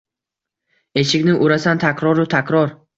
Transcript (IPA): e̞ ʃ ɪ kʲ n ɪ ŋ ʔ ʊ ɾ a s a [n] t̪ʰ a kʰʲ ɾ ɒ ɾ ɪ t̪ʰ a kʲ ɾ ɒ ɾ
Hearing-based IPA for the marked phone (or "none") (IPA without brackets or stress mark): n